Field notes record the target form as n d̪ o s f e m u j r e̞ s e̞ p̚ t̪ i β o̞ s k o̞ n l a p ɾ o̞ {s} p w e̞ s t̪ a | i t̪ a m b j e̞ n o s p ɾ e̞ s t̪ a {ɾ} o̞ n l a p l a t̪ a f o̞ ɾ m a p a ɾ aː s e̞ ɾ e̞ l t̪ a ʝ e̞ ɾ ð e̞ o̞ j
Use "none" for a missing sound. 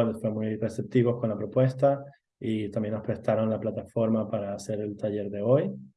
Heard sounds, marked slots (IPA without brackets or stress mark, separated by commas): none, ɾ